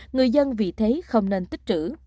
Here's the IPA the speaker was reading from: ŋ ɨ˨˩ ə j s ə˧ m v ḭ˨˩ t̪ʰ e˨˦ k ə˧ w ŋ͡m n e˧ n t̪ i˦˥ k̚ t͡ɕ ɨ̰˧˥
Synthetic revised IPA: ŋ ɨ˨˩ ə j z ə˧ n v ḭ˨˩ t̪ʰ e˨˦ x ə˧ w ŋ͡m n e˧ n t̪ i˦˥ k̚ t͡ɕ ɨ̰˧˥